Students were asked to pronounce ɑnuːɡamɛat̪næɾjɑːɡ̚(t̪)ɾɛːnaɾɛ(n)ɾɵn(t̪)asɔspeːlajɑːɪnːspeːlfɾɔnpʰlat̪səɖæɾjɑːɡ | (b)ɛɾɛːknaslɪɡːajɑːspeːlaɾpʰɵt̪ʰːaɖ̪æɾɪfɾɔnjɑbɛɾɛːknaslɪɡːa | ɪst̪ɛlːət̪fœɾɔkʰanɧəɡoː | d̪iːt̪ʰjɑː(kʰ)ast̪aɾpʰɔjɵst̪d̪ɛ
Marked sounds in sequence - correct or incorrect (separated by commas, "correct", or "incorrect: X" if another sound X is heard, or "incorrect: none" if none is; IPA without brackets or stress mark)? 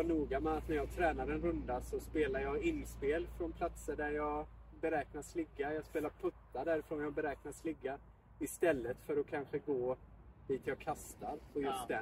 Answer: incorrect: t̪ʰ, correct, incorrect: d̪, correct, correct